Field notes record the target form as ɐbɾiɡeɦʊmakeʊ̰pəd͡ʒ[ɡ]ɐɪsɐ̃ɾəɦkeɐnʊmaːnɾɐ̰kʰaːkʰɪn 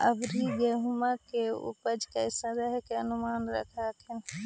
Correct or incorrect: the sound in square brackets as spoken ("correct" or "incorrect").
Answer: incorrect